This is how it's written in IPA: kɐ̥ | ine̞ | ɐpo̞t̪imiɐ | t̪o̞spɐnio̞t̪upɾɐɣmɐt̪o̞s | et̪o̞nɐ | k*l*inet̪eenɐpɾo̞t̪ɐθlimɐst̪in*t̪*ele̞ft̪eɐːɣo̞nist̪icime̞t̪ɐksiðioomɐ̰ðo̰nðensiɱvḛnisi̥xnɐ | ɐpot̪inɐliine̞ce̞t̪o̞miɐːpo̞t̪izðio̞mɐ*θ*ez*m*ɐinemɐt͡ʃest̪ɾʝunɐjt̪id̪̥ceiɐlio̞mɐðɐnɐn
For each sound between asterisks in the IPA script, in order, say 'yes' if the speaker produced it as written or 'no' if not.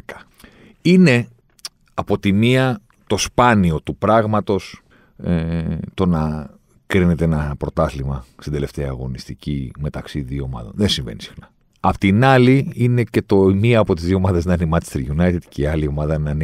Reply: no, no, no, no

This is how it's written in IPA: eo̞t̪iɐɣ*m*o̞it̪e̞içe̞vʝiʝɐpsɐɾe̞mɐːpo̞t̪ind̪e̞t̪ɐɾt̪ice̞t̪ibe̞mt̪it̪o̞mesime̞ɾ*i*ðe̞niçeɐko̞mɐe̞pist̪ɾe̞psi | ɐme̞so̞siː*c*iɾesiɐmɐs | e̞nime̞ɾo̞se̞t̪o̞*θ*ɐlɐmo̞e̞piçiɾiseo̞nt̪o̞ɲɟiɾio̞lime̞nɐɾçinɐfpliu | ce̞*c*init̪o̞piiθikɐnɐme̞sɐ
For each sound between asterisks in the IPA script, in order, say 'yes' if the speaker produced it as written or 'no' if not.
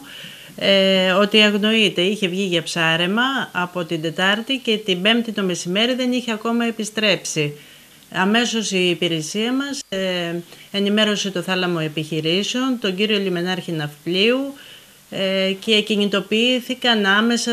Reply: no, yes, no, yes, yes

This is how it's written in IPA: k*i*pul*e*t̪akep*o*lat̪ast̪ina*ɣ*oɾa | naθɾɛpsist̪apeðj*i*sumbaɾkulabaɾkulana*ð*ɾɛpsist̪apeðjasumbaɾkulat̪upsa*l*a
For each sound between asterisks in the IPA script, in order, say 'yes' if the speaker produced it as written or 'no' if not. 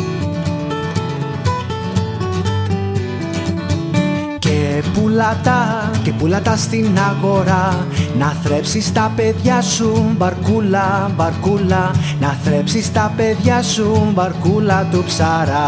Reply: no, no, no, yes, no, no, no

